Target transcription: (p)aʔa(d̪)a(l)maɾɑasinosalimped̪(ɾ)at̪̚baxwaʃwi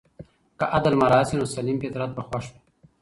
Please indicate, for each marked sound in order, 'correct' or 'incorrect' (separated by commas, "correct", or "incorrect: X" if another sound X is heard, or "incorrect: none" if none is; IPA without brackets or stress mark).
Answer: incorrect: k, correct, correct, correct